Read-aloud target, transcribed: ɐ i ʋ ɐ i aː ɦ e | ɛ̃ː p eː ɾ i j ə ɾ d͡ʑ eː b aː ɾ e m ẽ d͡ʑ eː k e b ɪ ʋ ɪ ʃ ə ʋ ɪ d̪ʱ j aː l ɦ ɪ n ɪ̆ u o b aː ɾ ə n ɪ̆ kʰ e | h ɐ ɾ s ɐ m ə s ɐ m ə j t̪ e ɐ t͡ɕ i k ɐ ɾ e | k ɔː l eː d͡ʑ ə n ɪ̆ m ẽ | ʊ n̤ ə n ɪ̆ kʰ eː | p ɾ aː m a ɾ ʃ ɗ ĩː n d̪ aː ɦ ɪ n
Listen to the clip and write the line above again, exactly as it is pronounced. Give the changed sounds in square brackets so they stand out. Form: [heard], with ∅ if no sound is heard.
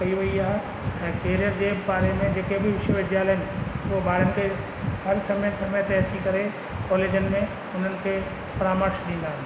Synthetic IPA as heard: ɐ i ʋ ɐ i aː ɦ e | ɛ̃ː [k] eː ɾ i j ə ɾ d͡ʑ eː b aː ɾ e m ẽ d͡ʑ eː k e b ɪ ʋ ɪ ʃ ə ʋ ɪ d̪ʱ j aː l ɦ ɪ n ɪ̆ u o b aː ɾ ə n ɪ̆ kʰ e | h ɐ ɾ s ɐ m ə s ɐ m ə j t̪ e ɐ t͡ɕ i k ɐ ɾ e | k ɔː l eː d͡ʑ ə n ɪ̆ m ẽ | ʊ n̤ ə n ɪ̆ kʰ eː | p ɾ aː m [ə] ɾ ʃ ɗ ĩː n d̪ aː ɦ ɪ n